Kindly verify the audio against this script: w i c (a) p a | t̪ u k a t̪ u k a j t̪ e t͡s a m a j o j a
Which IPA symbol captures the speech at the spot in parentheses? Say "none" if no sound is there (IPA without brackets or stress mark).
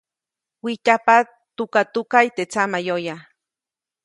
a